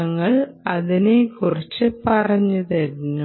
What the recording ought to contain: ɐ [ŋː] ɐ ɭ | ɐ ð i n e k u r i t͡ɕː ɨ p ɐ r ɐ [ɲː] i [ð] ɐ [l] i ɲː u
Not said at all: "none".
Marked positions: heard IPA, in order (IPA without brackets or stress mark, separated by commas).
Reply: ŋː, ɲː, ð, ɾ